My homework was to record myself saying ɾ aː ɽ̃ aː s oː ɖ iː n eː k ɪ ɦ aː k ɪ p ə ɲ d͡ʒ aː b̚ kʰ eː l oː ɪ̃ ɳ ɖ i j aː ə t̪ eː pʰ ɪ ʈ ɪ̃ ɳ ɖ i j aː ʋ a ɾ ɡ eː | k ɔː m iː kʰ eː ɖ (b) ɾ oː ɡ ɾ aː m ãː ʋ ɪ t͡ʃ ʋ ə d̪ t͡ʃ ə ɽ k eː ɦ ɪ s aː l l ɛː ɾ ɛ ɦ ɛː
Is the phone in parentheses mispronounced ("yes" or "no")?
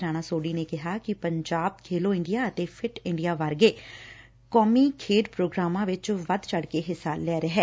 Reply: yes